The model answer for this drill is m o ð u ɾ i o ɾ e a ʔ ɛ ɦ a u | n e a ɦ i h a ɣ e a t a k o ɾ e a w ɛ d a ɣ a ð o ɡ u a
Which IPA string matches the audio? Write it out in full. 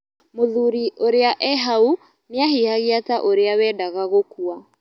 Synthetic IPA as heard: m o ð u ɾ i o ɾ e a ʔ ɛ ɦ a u | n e a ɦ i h a ɣ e a t a ʔ o ɾ e a w ɛ d a ɣ a ɣ o k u a